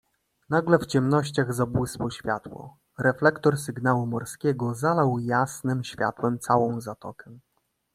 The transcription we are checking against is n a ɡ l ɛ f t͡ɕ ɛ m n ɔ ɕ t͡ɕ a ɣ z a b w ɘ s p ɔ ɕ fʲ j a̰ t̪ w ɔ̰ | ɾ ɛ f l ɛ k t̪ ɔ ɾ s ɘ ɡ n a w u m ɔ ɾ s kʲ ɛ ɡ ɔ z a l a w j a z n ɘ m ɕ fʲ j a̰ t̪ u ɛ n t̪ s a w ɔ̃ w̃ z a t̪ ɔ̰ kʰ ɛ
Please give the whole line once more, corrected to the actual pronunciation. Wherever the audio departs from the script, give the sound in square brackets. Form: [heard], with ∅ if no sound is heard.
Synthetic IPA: n a ɡ l ɛ f t͡ɕ ɛ m n ɔ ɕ t͡ɕ a ɣ z a b w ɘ s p ɔ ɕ fʲ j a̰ t̪ w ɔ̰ | ɾ ɛ f l ɛ k t̪ ɔ ɾ s ɘ ɡ n a w u m ɔ ɾ s kʲ ɛ ɡ ɔ z a l a w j a [s] n ɘ m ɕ fʲ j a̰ t̪ [w] ɛ [m] t̪ s a w ɔ̃ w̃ z a t̪ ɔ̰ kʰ ɛ